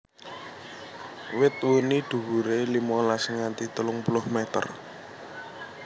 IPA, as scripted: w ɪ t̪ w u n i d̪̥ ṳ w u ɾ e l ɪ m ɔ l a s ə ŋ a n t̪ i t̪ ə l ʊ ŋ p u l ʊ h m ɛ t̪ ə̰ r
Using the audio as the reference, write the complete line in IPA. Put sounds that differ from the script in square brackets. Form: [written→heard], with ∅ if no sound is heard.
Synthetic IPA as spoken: w ɪ t̪ w u n i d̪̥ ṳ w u ɾ e l [ɪ→i] m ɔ l a s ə ŋ a n t̪ i t̪ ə l ʊ ŋ p u l ʊ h m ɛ t̪ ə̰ r

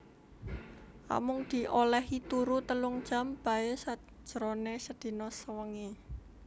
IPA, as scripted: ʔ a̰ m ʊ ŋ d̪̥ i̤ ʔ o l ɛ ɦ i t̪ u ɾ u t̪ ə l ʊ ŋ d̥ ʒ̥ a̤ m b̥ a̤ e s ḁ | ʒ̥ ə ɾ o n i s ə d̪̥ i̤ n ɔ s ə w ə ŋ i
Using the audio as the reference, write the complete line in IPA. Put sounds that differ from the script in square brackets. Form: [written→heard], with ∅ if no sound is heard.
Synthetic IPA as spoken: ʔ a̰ m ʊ ŋ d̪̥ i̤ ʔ o l ɛ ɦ i t̪ u ɾ u t̪ ə l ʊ ŋ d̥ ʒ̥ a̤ m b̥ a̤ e s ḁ | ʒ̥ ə ɾ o n [i→e] s ə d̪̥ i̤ n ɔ s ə w ə ŋ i

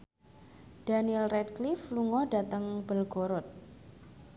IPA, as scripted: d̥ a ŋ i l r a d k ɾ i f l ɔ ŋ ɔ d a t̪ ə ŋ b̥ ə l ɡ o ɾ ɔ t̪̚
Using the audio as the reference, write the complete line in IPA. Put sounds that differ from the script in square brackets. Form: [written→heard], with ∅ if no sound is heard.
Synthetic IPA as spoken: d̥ a [ŋ→n] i l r [a→ɛ] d k [ɾ→l] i f l [ɔ→u] ŋ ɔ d a t̪ ə ŋ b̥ ə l ɡ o ɾ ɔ t̪̚

